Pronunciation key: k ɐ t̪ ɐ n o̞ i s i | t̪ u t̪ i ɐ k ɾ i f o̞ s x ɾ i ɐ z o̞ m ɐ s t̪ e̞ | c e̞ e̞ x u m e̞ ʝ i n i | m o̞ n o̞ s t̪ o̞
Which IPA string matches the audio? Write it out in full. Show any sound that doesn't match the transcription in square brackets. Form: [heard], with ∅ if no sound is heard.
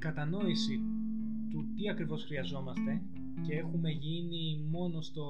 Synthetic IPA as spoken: k ɐ t̪ ɐ n o̞ i s i | t̪ u t̪ i ɐ k ɾ i [v] o̞ s x ɾ i ɐ z o̞ m ɐ s t̪ e̞ | c e̞ e̞ x u m e̞ ʝ i n i | m o̞ n o̞ s t̪ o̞